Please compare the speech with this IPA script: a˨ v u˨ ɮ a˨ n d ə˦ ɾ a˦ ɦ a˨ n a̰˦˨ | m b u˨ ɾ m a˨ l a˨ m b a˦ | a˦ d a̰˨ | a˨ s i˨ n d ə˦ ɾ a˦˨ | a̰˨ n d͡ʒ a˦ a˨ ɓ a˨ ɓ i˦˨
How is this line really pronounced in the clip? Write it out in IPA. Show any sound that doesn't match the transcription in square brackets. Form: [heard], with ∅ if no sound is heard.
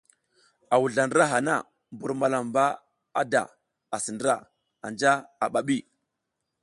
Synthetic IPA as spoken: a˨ [w] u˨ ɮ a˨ n d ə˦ ɾ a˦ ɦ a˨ n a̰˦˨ | m b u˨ ɾ m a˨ l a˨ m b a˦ | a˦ d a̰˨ | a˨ s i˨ n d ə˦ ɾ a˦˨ | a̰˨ n d͡ʒ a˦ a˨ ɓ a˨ ɓ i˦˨